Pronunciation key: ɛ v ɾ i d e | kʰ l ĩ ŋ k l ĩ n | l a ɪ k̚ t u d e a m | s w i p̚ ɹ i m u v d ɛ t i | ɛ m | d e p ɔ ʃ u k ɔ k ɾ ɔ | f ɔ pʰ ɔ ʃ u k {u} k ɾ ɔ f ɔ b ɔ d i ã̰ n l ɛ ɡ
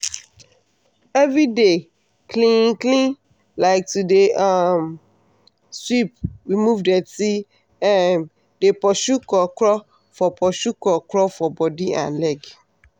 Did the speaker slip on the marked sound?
yes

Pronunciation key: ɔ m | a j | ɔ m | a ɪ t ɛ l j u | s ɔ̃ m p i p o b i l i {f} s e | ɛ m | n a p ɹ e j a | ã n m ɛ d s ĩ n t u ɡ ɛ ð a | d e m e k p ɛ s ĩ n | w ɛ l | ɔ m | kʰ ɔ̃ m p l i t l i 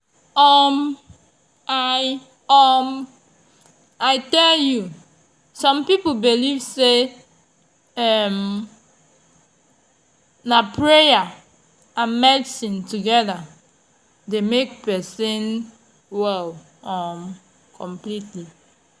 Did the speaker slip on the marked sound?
yes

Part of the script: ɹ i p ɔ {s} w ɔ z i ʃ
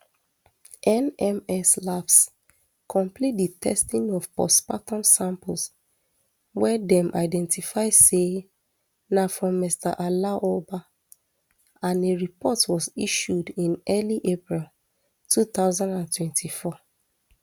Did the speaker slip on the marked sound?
yes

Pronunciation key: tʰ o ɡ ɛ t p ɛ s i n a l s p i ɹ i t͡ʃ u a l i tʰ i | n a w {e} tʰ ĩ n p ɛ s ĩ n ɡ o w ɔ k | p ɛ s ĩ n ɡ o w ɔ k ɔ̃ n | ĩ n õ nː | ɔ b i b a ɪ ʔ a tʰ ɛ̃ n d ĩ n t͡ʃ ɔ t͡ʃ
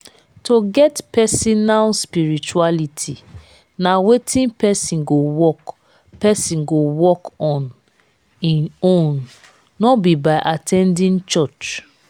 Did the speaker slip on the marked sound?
no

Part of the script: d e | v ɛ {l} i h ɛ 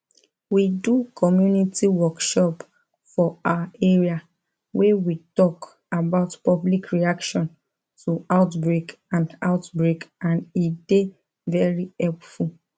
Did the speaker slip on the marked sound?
yes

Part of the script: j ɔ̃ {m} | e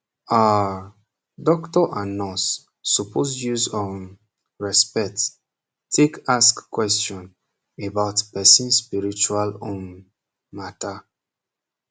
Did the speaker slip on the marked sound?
yes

